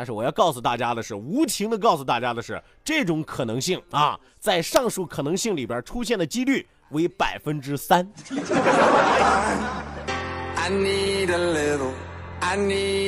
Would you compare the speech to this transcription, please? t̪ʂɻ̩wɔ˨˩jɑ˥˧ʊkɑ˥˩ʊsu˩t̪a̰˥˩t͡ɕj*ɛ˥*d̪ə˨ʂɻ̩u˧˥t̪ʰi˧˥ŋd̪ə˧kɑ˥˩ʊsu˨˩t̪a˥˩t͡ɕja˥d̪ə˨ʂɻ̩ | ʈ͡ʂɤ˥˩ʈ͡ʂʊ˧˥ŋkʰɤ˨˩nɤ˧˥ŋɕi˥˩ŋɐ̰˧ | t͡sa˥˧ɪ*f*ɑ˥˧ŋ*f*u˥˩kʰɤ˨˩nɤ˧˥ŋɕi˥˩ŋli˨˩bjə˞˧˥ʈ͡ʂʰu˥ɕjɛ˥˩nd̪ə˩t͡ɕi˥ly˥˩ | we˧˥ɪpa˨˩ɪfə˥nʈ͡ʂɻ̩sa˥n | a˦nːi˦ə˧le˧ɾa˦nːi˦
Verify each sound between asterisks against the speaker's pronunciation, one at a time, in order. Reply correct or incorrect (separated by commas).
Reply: incorrect, incorrect, incorrect